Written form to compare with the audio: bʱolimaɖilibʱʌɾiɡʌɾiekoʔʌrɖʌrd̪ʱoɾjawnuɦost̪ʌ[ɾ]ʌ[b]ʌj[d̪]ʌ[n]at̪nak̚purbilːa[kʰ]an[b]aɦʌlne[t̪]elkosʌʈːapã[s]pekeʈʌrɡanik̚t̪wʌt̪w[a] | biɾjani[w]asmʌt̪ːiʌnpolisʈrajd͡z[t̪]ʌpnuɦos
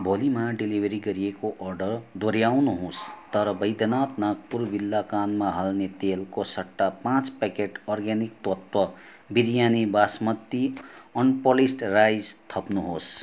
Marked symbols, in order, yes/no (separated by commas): yes, yes, yes, yes, no, no, yes, no, no, no, no